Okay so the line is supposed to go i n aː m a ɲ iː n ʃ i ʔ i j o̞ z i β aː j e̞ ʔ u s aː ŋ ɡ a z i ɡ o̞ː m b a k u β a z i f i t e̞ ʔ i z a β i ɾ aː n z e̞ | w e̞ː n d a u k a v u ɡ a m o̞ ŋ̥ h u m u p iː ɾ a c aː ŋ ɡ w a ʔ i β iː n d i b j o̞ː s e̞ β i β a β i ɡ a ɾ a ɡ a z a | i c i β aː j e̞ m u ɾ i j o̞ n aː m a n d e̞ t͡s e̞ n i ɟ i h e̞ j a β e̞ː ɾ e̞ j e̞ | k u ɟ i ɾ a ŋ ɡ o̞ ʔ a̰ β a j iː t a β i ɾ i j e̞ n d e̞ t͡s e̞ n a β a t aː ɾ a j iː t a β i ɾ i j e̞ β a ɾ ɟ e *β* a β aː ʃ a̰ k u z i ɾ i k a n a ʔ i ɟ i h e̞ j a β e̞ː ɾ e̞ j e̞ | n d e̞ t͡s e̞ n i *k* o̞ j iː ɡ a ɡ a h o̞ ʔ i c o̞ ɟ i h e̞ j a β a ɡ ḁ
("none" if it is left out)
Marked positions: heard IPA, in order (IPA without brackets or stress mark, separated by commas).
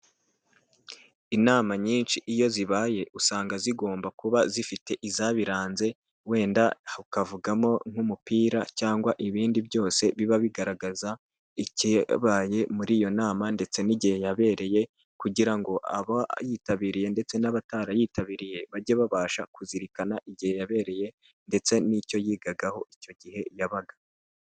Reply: β, c